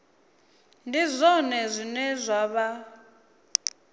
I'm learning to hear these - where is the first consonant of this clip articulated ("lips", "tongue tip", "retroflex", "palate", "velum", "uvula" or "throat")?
tongue tip